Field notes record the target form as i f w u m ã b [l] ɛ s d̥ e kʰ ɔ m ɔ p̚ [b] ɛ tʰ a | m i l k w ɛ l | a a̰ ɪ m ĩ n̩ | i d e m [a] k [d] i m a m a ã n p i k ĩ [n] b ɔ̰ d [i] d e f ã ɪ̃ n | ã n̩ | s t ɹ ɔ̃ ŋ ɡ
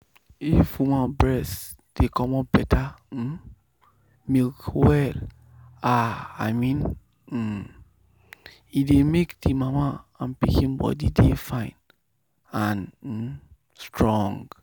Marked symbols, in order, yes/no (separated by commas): no, yes, no, yes, yes, yes